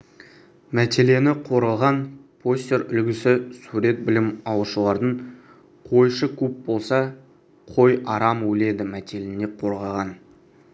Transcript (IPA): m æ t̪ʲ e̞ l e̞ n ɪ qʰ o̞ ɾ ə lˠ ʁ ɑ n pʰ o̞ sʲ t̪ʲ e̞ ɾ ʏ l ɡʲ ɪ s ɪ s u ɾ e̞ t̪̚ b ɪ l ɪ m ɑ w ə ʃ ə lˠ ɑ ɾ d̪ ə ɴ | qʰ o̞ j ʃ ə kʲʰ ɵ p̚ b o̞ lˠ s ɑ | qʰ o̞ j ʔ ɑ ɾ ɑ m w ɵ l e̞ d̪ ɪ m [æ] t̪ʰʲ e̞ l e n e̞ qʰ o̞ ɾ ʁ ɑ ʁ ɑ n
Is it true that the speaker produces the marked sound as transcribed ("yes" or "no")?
yes